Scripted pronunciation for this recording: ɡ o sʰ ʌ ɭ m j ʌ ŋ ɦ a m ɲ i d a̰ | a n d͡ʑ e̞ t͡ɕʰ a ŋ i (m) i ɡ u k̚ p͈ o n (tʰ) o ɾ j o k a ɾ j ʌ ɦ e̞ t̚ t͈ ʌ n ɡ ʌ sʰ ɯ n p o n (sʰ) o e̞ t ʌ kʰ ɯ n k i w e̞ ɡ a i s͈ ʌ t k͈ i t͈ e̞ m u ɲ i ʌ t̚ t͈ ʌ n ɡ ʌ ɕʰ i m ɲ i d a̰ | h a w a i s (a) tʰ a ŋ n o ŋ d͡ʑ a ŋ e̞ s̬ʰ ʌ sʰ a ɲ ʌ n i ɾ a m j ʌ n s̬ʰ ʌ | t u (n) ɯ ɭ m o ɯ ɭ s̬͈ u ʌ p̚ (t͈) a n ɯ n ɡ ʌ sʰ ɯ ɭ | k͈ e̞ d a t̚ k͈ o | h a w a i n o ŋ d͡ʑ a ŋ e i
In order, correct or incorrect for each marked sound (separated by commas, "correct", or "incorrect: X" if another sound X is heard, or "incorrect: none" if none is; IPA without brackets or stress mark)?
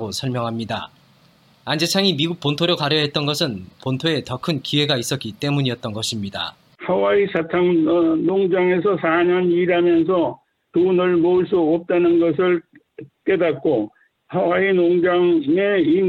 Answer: correct, correct, incorrect: tʰ, correct, correct, correct